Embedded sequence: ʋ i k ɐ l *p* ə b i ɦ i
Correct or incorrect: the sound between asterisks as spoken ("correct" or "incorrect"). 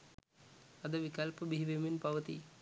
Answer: correct